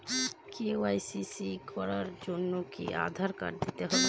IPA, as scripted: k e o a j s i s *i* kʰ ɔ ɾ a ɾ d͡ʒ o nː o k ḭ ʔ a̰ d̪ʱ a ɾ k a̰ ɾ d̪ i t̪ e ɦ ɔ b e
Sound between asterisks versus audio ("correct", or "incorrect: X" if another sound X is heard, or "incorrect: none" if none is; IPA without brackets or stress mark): correct